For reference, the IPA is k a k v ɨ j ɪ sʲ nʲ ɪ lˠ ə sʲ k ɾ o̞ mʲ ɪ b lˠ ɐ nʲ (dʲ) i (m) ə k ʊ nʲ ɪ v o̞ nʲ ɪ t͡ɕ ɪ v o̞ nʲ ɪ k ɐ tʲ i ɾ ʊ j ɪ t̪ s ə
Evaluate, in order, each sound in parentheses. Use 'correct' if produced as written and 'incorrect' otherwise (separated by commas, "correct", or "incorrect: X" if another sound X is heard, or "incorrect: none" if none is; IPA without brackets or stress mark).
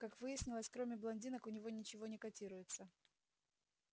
correct, incorrect: n